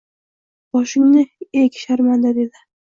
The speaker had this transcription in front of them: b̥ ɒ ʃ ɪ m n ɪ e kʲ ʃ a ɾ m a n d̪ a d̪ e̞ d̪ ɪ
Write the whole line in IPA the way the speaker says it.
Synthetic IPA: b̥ ɒ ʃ ɪ ŋ n ɪ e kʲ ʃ a ɾ m a n d̪ a d̪ e̞ d̪ ɪ